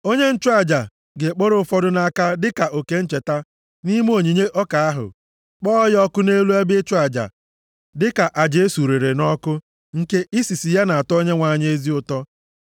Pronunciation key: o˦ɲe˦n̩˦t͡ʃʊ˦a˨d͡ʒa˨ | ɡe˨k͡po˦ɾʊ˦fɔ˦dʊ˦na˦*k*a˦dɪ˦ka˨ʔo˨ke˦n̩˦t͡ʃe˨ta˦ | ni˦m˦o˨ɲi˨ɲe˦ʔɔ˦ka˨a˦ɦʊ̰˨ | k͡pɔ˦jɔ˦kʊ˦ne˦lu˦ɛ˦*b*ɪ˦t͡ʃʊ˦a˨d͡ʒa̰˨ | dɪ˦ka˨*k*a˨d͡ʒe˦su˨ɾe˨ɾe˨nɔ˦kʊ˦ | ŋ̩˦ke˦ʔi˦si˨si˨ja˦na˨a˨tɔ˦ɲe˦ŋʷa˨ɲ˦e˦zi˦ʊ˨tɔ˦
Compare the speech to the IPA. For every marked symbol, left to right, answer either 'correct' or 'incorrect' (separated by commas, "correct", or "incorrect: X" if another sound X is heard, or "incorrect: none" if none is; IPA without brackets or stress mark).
correct, correct, incorrect: ʔ